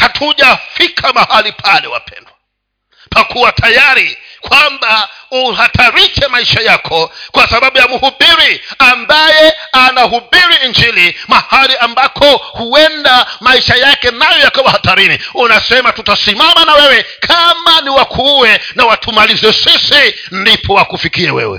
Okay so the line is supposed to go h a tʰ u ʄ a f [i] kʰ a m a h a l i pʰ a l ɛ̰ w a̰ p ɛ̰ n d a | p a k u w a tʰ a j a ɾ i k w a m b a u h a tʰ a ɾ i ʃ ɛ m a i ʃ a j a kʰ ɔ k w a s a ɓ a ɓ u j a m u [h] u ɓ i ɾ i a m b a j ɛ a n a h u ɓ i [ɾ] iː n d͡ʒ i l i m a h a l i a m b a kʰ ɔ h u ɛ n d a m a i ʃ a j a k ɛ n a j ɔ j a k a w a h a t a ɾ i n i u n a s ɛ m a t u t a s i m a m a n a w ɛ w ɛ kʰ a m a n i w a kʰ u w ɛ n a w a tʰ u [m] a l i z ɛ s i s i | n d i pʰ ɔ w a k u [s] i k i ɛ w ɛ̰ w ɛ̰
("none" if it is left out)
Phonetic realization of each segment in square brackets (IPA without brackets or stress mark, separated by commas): i, h, ɾ, m, f